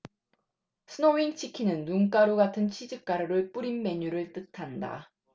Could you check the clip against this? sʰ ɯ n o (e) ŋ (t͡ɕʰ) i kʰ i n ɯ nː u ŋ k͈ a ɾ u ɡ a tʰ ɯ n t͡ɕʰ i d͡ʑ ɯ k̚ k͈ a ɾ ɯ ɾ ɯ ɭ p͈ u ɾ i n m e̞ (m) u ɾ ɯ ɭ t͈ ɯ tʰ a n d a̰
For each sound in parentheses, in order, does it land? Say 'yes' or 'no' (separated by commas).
no, yes, no